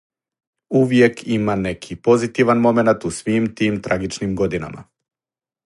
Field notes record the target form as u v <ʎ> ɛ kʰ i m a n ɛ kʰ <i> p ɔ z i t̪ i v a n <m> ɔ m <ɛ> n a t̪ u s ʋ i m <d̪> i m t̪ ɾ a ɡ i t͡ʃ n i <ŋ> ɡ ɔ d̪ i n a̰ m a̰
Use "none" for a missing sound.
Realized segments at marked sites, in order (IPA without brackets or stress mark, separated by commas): j, i, m, ɛ, t̪, m